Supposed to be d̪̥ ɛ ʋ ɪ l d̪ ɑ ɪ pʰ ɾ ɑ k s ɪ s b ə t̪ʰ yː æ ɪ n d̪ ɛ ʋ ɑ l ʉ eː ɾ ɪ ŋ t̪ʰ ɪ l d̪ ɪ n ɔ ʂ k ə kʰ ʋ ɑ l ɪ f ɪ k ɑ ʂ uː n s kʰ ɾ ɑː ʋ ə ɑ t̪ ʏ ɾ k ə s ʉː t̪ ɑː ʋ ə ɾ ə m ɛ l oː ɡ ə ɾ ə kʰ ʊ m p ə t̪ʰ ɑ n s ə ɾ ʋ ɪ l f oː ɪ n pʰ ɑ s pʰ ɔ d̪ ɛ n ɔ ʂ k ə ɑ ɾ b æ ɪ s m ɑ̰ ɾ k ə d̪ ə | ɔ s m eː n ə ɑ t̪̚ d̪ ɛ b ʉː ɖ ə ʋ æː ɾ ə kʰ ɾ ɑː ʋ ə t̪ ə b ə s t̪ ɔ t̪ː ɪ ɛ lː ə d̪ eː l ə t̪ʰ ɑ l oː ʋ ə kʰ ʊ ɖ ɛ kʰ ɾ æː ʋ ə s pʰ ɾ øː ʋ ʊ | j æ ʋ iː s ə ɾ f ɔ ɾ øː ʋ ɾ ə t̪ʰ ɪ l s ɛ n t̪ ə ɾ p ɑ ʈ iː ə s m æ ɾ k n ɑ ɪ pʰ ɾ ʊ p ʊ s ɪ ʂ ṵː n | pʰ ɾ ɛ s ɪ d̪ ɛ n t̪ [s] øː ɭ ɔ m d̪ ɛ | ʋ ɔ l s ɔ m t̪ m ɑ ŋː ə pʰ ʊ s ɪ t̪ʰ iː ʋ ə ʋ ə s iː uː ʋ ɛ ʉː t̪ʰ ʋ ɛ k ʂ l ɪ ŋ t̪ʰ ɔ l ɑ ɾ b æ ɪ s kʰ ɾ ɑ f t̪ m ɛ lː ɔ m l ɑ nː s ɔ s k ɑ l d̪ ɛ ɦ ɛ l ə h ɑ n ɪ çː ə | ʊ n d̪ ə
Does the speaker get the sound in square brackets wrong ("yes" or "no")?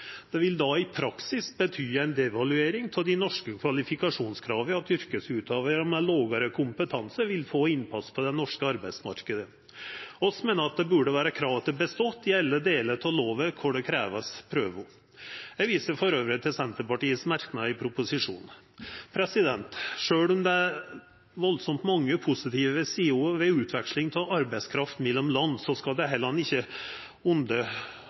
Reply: yes